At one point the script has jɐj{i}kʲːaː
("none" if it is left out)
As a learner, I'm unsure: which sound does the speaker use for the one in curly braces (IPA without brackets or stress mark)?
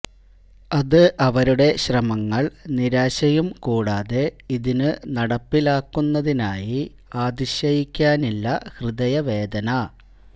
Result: i